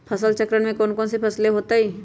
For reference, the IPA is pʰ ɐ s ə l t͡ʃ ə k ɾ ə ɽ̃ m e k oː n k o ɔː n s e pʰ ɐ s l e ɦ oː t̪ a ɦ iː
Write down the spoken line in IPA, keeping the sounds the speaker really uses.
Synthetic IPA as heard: pʰ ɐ s ə l t͡ʃ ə k ɾ ə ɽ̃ m ẽ k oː n k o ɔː n s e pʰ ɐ s l e ɦ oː t̪ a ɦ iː